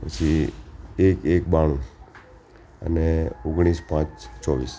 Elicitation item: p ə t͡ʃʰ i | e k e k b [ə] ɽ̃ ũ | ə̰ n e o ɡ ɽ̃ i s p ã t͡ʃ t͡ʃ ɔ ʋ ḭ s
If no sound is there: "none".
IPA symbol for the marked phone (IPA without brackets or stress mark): a